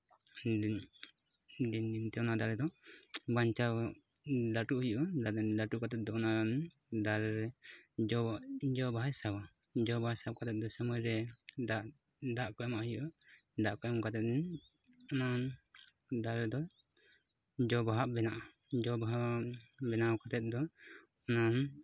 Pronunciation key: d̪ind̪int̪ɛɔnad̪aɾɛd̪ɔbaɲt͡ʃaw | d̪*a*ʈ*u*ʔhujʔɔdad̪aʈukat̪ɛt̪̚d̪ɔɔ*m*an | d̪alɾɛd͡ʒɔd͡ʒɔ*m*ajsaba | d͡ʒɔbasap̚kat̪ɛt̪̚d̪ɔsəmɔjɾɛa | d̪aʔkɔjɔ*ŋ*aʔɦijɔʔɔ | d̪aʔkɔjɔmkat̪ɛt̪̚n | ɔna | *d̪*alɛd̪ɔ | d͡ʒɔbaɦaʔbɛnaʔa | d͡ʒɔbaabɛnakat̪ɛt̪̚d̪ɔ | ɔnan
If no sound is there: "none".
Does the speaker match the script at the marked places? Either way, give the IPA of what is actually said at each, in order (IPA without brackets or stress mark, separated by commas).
a, u, n, b, m, d̪